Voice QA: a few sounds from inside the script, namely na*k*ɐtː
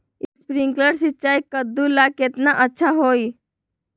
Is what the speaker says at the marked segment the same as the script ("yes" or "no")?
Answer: no